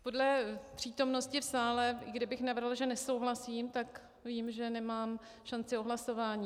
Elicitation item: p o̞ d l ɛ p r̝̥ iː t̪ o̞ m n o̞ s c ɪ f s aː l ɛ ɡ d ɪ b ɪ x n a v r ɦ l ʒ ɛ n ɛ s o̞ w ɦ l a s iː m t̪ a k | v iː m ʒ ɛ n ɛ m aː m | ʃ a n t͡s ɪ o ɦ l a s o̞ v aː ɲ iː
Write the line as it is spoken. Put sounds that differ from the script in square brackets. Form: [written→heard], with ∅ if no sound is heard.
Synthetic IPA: p o̞ d l ɛ p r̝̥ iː t̪ o̞ m n o̞ s c ɪ f s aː l ɛ ɡ d ɪ b ɪ x n a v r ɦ l ʒ ɛ n ɛ s o̞ w ɦ l a s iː m t̪ a k | v iː m ʒ ɛ n ɛ m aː m | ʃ a n t͡s ɪ o ɦ l a s o̞ v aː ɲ iː